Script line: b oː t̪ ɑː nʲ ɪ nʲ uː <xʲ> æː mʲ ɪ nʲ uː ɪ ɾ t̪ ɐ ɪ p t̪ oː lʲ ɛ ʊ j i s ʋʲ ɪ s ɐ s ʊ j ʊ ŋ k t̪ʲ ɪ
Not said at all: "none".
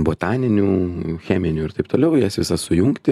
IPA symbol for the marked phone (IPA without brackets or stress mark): xʲ